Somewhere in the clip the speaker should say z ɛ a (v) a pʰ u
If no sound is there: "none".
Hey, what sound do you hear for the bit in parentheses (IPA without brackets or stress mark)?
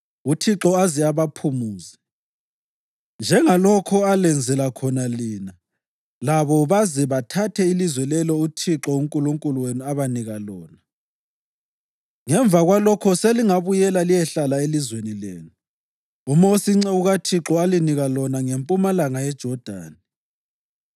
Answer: β